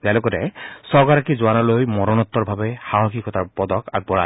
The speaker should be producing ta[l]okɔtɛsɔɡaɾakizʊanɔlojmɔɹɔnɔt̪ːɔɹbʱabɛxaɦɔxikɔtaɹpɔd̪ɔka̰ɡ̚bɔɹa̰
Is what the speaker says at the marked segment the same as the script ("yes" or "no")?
yes